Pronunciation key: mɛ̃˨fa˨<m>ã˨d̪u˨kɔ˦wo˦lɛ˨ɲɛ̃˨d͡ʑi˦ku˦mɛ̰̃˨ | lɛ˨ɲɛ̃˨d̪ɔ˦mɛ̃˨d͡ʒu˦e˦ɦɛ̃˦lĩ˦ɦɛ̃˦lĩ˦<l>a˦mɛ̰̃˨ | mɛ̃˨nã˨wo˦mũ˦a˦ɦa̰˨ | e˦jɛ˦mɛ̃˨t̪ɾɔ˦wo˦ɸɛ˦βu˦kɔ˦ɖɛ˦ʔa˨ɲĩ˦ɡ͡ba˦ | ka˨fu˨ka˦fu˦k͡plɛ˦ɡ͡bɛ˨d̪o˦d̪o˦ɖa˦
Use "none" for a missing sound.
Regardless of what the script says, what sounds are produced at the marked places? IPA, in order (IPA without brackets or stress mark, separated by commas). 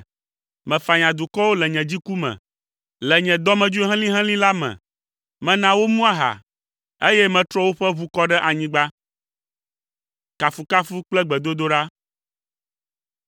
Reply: ɲ, l